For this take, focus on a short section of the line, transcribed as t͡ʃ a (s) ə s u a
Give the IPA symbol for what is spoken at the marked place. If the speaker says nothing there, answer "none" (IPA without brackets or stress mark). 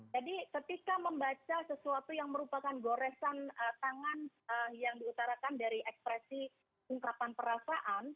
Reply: s